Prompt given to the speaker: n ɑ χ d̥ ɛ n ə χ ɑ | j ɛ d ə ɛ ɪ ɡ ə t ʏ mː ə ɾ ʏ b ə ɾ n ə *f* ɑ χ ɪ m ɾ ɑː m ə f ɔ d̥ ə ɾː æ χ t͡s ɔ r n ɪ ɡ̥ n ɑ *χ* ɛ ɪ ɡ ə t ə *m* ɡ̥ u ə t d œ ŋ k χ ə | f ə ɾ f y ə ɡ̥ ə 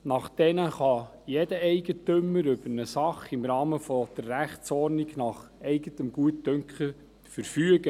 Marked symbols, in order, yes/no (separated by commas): no, yes, yes